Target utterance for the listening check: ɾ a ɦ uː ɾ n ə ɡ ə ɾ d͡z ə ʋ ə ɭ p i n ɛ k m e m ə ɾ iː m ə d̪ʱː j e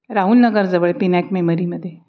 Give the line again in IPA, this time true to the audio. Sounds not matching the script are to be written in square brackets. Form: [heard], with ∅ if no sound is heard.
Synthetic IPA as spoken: ɾ a ɦ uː [l] n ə ɡ ə ɾ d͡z ə ʋ ə ɭ p i n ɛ k m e m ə ɾ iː m ə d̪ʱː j e

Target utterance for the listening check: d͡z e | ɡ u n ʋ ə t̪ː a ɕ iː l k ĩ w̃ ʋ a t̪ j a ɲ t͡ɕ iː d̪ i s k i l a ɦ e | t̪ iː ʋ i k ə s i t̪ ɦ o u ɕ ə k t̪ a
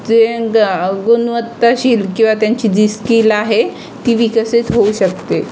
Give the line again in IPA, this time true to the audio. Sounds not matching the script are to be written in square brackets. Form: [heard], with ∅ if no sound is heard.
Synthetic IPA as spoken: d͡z e | ɡ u n ʋ ə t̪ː a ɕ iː l k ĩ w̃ ʋ a t̪ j a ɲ t͡ɕ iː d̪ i s k i l a ɦ e | t̪ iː ʋ i k ə s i t̪ ɦ o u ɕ ə k t̪ [e]

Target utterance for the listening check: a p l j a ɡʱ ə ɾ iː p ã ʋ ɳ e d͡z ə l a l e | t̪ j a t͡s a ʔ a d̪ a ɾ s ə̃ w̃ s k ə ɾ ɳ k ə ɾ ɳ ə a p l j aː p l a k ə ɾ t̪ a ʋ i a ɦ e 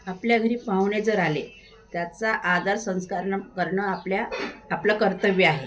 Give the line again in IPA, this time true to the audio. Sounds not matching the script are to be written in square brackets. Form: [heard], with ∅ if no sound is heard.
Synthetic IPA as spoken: a p l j a ɡʱ ə ɾ iː p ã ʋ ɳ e d͡z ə [ɾ] a l e | t̪ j a t͡s a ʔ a d̪ a ɾ s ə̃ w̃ s k [a] ɾ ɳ k ə ɾ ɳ ə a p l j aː p l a k ə ɾ t̪ [ə] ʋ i a ɦ e

